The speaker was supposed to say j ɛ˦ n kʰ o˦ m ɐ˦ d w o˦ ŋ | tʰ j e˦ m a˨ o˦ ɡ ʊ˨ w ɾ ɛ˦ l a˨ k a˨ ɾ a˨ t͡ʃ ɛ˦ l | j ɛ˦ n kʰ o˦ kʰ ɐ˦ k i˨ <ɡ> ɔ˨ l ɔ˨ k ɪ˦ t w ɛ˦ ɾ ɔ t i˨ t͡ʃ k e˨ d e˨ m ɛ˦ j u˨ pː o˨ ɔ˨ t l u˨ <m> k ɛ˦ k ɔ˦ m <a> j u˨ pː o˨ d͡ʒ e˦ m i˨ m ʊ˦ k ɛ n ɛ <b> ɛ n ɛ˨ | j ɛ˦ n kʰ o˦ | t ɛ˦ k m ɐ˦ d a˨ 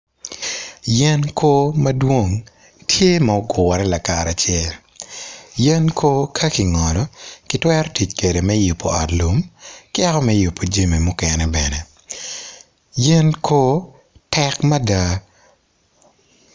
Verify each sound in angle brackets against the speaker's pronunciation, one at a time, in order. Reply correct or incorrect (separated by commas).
incorrect, correct, incorrect, correct